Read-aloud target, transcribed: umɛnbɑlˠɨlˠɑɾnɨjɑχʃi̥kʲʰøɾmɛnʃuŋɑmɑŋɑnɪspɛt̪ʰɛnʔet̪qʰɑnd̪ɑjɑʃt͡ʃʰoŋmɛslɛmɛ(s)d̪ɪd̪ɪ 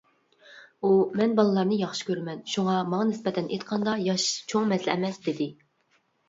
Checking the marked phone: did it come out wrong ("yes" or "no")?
no